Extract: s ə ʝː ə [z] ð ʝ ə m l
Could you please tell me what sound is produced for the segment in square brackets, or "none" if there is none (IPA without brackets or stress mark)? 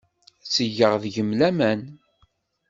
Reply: ʁ